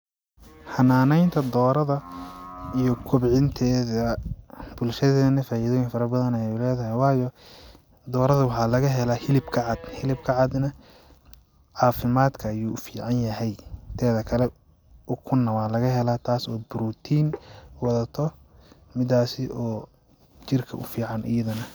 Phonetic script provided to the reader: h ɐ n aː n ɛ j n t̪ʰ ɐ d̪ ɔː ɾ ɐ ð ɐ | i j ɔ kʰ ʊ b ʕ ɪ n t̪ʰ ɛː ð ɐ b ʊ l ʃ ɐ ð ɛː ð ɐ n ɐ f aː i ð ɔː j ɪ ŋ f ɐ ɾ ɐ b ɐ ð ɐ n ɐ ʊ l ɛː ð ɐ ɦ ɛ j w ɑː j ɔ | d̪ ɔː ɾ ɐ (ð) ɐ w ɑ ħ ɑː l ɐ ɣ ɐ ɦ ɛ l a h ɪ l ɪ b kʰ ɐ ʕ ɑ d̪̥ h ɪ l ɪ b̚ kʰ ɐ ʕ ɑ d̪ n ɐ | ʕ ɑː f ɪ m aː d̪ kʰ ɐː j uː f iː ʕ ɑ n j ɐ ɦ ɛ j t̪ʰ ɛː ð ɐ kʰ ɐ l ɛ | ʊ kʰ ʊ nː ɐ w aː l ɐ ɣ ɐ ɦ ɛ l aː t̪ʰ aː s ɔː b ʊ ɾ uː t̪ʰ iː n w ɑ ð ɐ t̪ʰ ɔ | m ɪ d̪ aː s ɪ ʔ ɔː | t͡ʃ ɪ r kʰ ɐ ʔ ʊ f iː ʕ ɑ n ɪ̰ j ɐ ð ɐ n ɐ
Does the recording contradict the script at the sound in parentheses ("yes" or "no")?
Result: no